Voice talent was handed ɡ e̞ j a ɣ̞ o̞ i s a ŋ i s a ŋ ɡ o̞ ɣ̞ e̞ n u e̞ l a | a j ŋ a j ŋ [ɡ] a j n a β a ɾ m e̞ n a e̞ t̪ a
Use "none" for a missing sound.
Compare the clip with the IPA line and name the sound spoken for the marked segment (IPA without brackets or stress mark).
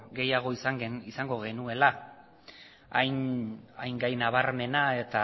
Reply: ɡ